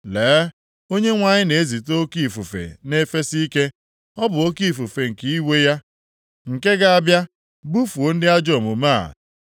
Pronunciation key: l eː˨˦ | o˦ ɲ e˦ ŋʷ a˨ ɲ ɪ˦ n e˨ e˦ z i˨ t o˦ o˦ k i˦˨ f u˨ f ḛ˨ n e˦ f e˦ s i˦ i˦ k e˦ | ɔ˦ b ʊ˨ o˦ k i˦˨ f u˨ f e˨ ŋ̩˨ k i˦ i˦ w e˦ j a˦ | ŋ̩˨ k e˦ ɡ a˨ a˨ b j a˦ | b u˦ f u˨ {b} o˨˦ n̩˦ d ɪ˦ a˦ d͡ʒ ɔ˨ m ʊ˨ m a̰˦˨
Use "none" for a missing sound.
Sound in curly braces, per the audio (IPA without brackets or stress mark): none